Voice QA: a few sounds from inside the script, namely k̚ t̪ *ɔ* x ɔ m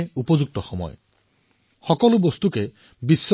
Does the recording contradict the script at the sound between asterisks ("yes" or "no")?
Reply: no